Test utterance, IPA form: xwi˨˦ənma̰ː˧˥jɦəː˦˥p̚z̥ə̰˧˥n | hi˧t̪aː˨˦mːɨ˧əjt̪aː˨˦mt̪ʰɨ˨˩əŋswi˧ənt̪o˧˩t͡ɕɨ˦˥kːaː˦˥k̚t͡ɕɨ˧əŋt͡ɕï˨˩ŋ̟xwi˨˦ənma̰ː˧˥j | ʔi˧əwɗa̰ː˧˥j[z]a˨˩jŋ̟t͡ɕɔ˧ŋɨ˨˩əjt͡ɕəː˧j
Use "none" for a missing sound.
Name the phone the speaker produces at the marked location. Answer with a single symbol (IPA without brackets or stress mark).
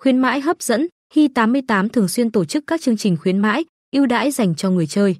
z